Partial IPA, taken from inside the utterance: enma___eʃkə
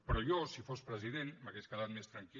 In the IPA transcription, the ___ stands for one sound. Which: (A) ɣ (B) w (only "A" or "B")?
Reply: A